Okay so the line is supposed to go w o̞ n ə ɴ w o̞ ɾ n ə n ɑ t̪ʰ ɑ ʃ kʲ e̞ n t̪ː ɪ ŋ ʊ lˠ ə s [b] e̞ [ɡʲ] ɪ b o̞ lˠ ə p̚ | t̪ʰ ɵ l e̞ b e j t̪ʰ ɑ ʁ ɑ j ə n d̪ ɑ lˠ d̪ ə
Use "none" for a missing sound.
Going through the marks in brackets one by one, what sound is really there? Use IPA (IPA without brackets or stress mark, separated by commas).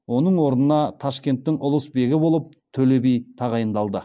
b, ɡʲ